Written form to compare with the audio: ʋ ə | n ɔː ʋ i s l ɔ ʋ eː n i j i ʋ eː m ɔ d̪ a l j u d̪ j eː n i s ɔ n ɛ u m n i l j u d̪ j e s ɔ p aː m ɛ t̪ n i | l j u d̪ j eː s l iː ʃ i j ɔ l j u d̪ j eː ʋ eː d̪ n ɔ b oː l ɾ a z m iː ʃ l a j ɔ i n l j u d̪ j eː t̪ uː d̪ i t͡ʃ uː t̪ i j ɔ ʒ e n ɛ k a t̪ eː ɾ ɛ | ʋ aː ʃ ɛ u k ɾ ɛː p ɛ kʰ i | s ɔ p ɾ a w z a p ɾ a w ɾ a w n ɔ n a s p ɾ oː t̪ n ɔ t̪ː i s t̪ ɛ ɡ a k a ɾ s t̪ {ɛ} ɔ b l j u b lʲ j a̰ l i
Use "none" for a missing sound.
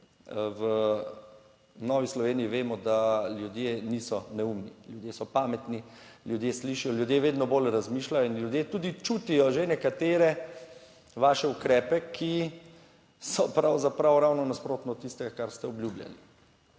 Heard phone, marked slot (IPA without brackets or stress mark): ɛ